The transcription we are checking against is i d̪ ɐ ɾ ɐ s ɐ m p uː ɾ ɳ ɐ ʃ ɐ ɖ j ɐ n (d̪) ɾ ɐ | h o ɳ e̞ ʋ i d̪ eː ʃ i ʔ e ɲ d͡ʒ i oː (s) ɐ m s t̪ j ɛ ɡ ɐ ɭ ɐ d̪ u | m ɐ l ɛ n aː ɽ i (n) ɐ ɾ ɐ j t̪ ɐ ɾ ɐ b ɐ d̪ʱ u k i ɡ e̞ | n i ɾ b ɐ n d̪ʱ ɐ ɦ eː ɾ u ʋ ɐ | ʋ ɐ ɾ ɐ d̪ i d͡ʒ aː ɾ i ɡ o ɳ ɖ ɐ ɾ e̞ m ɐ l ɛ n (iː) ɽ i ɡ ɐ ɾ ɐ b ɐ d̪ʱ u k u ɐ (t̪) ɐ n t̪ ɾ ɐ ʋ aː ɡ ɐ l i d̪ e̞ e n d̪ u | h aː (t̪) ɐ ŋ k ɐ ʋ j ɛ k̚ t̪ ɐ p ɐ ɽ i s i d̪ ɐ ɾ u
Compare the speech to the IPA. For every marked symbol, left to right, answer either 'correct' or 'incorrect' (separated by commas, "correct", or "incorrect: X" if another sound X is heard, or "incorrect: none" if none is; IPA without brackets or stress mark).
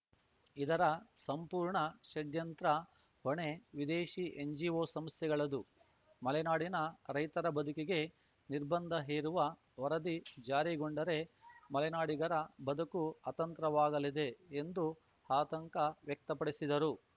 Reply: incorrect: t̪, correct, correct, incorrect: aː, correct, correct